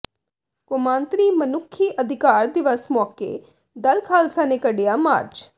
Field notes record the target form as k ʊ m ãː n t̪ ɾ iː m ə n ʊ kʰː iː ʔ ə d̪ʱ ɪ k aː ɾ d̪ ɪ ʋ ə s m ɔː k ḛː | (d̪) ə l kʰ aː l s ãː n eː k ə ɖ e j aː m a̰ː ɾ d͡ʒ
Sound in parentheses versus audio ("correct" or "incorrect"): correct